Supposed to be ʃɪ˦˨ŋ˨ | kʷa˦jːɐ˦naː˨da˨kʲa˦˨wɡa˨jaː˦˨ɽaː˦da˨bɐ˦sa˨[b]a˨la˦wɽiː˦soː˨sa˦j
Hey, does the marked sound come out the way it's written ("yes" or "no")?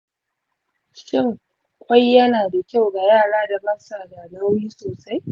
no